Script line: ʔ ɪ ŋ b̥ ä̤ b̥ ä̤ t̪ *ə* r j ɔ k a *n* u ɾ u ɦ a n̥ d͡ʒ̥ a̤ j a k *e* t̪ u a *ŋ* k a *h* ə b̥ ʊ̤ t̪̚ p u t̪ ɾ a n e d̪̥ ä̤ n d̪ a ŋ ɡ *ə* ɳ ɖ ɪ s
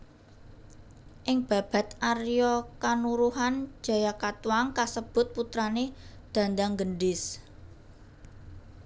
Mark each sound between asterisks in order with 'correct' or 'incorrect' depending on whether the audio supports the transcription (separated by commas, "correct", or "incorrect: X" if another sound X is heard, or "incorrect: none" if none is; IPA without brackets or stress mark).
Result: incorrect: a, correct, incorrect: a, correct, incorrect: s, correct